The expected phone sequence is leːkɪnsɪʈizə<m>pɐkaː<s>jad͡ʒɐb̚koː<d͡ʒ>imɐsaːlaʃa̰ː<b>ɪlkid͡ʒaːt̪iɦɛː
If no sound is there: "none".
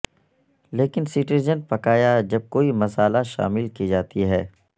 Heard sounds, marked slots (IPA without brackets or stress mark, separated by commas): n, none, none, m